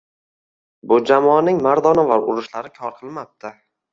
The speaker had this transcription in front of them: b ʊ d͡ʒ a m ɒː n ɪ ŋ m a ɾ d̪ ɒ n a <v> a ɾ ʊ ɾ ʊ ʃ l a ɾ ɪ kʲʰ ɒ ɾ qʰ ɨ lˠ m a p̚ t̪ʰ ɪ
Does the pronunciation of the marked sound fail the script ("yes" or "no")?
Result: no